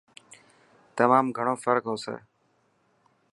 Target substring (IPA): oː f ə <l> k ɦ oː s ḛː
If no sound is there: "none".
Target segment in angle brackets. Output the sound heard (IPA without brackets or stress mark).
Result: ɾ